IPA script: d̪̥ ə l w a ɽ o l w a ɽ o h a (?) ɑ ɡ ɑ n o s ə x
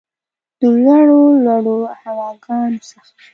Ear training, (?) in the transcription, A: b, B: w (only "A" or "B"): B